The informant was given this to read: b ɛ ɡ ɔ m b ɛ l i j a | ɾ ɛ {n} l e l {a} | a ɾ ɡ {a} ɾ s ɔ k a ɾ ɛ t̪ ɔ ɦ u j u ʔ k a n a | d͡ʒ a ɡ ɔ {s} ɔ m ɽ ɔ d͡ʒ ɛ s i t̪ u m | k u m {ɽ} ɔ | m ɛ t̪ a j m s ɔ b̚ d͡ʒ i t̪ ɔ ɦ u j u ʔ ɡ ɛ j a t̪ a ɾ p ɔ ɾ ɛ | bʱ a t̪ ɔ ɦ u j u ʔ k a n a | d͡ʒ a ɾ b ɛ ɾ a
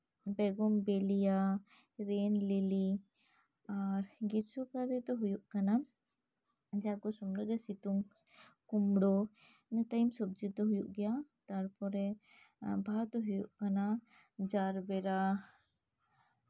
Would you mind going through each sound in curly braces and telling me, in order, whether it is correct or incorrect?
correct, incorrect: i, incorrect: i, correct, correct

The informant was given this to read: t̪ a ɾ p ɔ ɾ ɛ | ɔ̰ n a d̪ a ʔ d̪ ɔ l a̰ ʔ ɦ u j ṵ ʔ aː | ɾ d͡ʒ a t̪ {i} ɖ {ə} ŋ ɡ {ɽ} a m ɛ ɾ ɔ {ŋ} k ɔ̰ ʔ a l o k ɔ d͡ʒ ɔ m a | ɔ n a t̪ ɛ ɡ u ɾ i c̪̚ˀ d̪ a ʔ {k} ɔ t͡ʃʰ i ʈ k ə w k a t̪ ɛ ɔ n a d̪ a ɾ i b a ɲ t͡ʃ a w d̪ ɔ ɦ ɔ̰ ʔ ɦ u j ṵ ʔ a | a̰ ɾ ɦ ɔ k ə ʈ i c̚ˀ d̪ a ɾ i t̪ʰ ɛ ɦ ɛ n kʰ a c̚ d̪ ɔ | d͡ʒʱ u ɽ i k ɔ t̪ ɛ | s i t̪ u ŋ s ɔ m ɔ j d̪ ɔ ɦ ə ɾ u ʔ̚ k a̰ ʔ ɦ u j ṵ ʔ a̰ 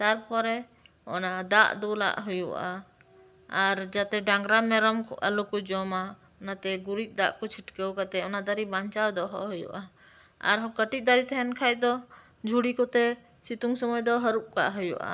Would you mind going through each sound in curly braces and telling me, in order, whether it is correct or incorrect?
incorrect: ɛ, incorrect: a, incorrect: ɾ, incorrect: m, correct

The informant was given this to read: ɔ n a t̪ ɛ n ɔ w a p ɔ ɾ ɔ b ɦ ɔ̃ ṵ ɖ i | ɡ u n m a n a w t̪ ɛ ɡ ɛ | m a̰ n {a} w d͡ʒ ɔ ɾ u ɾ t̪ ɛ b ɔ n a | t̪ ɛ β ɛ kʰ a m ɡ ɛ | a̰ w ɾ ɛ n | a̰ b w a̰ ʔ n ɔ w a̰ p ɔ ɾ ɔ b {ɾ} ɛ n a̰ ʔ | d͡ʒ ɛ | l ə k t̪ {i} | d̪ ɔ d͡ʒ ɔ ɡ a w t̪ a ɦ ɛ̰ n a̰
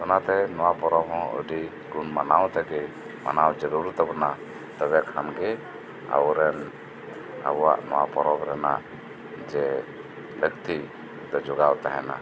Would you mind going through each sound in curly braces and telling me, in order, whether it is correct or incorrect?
correct, correct, correct

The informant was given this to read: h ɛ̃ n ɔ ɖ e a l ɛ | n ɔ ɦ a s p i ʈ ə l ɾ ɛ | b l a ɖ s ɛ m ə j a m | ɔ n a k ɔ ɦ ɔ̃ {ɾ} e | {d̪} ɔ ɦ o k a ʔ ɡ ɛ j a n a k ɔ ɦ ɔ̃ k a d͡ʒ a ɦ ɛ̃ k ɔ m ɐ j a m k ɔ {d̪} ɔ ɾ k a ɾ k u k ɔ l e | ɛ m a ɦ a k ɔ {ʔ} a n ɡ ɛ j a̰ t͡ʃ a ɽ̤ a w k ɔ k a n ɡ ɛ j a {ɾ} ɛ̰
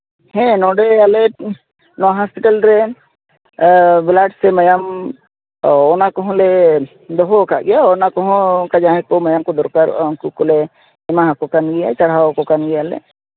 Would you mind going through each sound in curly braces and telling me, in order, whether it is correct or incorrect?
incorrect: l, correct, correct, incorrect: k, incorrect: l

